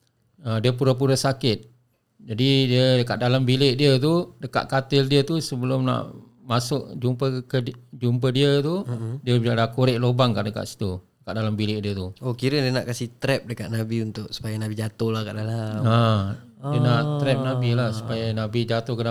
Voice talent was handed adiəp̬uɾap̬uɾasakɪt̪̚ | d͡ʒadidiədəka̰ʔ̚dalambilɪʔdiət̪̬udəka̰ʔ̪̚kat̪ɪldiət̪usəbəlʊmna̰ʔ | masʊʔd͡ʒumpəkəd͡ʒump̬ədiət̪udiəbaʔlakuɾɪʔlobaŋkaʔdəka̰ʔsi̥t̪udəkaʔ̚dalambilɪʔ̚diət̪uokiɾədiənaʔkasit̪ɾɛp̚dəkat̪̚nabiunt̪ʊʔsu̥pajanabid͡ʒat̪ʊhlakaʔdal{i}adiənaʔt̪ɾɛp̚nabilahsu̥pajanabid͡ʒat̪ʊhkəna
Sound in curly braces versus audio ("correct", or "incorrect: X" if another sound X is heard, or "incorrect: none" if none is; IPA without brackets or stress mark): incorrect: a